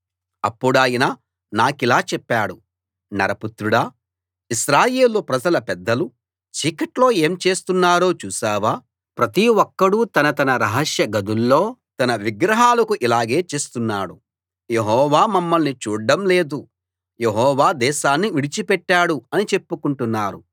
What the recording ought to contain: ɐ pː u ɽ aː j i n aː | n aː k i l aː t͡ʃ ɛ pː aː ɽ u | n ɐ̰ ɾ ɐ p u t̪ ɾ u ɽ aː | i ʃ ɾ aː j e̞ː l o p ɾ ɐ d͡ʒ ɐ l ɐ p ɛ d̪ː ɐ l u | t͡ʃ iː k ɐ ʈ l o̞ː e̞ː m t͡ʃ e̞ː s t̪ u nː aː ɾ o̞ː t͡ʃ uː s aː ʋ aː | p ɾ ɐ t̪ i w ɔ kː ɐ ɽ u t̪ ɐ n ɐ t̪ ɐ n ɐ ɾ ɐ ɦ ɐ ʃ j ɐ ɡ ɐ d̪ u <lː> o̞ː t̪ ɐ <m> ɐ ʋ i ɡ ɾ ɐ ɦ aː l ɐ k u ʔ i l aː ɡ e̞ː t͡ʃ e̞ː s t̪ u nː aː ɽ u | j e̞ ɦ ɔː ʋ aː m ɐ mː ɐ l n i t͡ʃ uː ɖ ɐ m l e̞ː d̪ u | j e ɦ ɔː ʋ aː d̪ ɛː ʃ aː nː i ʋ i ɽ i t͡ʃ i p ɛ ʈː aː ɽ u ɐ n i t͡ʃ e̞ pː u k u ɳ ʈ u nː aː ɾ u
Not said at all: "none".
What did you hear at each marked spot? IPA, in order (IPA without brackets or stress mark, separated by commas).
lː, n